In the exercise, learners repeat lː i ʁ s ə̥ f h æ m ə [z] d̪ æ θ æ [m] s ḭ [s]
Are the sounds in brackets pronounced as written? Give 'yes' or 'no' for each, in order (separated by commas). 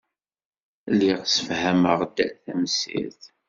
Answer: no, yes, no